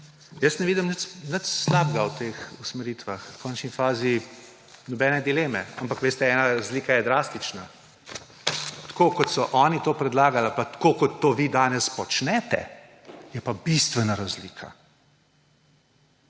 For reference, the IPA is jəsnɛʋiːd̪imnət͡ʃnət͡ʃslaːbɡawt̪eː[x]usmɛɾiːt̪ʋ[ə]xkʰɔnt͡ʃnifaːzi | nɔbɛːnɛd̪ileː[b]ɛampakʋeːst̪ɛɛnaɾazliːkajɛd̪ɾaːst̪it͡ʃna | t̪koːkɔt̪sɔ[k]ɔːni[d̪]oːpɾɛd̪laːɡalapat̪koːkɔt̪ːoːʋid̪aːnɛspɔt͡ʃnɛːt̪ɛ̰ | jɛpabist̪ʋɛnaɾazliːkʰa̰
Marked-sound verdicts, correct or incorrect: correct, incorrect, incorrect, incorrect, incorrect

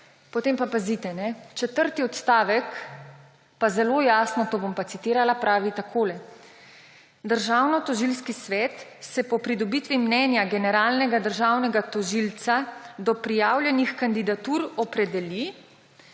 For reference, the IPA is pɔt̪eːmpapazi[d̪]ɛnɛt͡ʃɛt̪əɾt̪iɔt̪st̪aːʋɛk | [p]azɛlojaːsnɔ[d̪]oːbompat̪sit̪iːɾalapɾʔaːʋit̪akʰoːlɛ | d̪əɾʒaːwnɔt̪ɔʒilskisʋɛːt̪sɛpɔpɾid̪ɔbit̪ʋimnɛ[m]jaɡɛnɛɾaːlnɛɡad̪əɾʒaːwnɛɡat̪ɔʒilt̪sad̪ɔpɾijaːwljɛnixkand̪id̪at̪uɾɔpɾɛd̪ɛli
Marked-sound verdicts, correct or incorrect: incorrect, correct, incorrect, incorrect

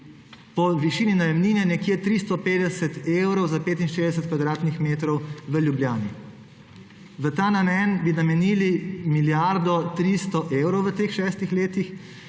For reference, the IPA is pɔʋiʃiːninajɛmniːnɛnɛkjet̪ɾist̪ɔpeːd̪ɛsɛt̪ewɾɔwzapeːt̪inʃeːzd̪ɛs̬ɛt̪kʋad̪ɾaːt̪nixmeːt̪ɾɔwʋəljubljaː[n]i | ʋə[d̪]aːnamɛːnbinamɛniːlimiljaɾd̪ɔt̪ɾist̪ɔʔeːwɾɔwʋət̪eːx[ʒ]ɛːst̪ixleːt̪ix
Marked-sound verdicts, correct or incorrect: correct, incorrect, incorrect

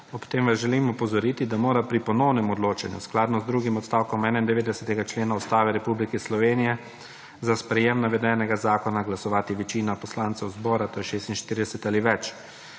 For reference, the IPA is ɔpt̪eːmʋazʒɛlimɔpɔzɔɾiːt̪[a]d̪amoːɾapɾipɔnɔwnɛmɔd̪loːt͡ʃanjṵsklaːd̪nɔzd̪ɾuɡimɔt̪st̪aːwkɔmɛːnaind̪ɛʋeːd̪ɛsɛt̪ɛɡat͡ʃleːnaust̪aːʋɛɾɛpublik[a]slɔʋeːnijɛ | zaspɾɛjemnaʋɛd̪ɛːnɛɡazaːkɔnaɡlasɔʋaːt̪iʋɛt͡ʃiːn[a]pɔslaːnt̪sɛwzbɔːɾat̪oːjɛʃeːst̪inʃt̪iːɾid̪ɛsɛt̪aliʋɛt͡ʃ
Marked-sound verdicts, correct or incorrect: incorrect, incorrect, correct

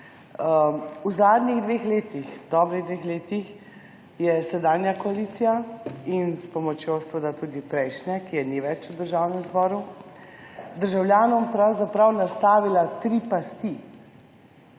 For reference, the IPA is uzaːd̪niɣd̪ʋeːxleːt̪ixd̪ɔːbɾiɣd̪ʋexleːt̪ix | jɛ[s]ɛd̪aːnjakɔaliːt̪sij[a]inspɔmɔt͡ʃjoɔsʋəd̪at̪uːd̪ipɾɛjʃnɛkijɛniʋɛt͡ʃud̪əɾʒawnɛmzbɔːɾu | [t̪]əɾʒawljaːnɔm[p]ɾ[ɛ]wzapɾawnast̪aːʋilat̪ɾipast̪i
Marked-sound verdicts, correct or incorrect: correct, correct, incorrect, correct, incorrect

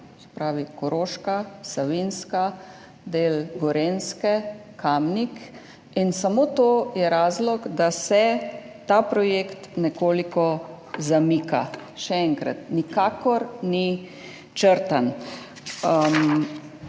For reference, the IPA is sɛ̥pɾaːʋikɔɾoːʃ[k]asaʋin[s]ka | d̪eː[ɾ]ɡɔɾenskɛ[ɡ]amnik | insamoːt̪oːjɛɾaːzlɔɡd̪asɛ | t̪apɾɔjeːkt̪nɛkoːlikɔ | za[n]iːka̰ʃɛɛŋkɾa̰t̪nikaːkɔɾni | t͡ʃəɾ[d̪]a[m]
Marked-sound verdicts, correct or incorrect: correct, correct, incorrect, incorrect, incorrect, incorrect, incorrect

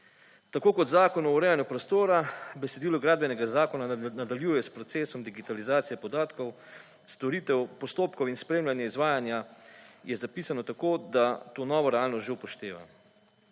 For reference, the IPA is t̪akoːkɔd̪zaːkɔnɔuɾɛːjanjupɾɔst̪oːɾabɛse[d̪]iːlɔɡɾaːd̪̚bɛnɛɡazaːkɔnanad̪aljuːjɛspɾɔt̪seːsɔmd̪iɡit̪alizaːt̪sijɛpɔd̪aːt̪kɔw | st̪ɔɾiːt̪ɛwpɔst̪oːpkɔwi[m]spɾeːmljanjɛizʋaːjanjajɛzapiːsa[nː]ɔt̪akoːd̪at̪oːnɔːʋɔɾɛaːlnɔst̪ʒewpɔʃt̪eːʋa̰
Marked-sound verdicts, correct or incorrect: correct, incorrect, incorrect

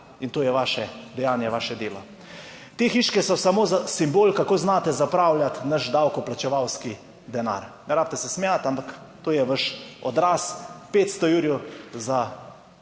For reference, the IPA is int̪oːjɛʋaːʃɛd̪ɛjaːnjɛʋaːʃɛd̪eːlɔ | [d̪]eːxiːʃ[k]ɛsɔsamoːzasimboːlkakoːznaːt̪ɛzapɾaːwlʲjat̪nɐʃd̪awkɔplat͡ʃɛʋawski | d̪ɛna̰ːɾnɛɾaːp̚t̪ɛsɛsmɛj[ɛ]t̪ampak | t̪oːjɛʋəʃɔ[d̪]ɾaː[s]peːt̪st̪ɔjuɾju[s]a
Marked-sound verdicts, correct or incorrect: incorrect, correct, incorrect, correct, correct, incorrect

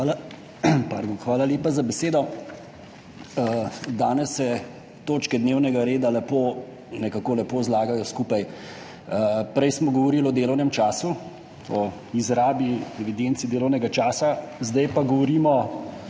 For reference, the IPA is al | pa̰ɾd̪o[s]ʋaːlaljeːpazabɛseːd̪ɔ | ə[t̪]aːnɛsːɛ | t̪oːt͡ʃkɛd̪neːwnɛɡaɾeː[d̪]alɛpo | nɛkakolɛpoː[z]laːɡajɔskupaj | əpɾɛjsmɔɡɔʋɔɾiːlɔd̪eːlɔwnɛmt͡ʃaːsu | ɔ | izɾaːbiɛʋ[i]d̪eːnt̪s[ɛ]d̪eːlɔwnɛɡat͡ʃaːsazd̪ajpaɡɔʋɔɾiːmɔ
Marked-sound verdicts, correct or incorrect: incorrect, incorrect, correct, correct, correct, incorrect

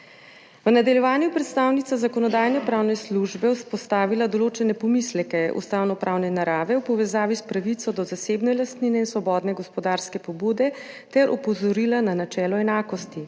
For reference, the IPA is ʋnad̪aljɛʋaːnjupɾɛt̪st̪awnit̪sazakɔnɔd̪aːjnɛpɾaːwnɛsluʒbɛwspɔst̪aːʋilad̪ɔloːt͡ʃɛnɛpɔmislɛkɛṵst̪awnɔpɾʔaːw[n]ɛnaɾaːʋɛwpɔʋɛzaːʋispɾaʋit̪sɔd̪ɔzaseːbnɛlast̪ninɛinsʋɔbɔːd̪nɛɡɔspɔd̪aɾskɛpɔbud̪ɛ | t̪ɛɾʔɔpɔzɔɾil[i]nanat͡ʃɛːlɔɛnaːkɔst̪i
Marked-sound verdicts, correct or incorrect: correct, incorrect

